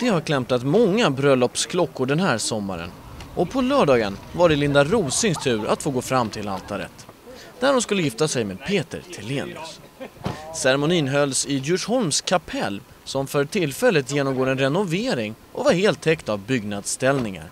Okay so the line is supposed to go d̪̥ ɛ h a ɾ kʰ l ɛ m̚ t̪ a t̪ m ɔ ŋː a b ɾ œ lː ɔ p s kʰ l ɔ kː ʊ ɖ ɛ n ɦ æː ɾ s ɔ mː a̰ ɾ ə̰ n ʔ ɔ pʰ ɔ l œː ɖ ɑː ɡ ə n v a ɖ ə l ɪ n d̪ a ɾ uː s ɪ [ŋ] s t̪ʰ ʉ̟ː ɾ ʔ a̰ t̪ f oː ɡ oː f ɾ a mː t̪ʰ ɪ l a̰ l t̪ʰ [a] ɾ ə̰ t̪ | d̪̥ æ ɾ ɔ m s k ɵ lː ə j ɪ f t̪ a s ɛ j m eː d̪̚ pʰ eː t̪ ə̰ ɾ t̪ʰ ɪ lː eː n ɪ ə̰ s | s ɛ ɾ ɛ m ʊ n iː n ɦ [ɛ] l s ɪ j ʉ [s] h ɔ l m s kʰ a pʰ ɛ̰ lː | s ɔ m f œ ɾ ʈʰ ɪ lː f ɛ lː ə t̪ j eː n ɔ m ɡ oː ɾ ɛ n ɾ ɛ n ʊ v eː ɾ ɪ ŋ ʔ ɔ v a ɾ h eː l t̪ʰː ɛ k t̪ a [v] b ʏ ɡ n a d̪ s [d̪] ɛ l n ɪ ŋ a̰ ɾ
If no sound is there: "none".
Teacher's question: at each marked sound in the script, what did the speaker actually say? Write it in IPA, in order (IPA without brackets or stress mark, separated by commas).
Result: ŋ, a, œ, ʂ, v, t̪